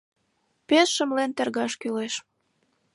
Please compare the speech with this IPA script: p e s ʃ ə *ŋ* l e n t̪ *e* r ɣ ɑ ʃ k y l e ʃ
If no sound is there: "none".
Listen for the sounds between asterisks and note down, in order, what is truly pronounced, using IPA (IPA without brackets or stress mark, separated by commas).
m, e